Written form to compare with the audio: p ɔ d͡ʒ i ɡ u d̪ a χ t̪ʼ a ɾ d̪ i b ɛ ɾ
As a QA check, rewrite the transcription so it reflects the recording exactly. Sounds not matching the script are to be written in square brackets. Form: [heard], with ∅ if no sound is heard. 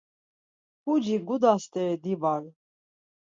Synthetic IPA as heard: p [u] d͡ʒ i ɡ u d̪ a [s] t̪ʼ [ɛ] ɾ d̪ i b [a] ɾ